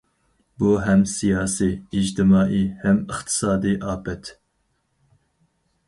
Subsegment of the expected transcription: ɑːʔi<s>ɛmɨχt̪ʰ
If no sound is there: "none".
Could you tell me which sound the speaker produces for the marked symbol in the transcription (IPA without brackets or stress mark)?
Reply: h